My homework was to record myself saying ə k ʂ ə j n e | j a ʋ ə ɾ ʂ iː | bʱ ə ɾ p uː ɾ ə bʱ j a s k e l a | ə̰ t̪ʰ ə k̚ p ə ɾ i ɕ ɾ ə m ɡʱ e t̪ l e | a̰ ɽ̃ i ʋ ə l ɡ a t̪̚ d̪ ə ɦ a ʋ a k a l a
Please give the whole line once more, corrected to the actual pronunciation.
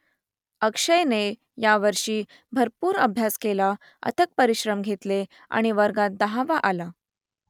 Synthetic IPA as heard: ə k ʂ ə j n e | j a ʋ ə ɾ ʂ iː | bʱ ə ɾ p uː ɾ ə bʱ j a s k e l a | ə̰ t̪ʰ ə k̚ p ə ɾ i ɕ ɾ ə m ɡʱ e t̪ l e | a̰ ɽ̃ i ʋ ə ɾ ɡ a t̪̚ d̪ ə ɦ a ʋ a ʔ a l a